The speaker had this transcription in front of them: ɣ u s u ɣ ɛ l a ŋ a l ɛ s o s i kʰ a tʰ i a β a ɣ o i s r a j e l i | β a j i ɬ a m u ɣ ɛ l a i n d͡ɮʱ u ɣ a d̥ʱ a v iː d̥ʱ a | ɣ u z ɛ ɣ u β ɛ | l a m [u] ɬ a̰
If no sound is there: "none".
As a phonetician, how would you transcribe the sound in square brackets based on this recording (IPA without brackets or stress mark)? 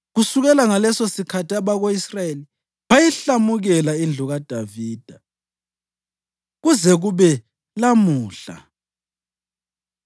uː